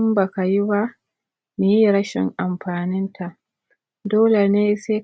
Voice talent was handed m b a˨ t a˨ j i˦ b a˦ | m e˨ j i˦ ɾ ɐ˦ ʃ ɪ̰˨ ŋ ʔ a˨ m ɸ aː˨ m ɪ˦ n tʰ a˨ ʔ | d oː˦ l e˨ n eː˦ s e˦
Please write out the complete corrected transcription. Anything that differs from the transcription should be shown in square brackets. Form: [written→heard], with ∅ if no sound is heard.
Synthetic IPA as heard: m b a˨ [t→k] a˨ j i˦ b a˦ | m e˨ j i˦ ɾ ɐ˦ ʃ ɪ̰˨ ŋ ʔ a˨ m ɸ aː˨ [m→n] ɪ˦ n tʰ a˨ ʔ | d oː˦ l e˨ n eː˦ s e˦